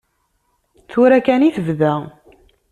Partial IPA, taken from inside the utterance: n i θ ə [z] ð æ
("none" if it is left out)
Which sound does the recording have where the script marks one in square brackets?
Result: v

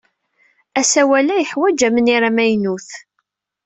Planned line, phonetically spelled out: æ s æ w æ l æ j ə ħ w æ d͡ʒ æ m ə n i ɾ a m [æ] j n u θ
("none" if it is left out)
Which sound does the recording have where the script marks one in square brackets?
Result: æ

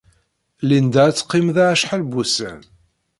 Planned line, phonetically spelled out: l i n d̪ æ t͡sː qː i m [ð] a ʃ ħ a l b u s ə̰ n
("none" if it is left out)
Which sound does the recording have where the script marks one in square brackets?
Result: ð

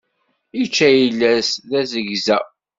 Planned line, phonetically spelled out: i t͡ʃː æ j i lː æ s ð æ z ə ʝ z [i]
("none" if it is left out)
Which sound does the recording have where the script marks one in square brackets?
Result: æ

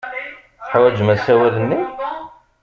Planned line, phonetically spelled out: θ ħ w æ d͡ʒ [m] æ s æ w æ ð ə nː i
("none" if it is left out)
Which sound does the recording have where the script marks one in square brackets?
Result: m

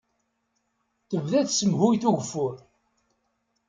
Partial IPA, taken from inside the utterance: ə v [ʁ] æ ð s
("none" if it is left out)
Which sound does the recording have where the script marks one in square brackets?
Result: ð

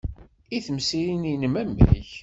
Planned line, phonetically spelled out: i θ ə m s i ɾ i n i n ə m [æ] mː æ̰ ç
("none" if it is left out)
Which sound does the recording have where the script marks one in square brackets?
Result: æ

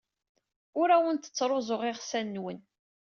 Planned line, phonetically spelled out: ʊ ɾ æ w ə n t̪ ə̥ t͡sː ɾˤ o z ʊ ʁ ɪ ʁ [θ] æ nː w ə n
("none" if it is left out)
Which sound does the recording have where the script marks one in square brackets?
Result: s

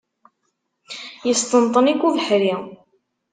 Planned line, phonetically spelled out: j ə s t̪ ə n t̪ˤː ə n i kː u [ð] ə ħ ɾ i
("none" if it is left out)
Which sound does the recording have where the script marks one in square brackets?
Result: v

